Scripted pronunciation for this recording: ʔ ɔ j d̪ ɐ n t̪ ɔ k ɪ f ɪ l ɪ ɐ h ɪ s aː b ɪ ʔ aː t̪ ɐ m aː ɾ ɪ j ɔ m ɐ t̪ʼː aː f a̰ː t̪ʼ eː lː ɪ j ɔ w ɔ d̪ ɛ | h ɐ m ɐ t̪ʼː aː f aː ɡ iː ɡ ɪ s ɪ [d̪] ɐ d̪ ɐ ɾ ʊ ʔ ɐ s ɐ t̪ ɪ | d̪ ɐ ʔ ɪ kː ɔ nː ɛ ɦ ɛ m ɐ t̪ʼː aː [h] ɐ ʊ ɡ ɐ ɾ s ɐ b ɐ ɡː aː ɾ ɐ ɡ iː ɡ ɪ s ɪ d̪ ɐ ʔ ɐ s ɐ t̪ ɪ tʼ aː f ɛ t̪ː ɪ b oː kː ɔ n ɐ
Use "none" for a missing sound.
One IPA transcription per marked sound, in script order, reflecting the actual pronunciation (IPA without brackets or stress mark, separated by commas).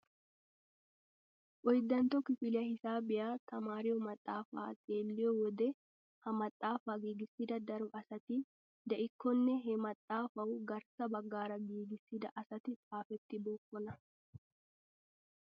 d̪, f